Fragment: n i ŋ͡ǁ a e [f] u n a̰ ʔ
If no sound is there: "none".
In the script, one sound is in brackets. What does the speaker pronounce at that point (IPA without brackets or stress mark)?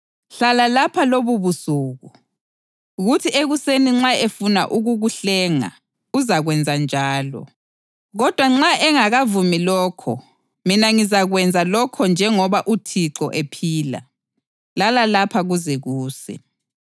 f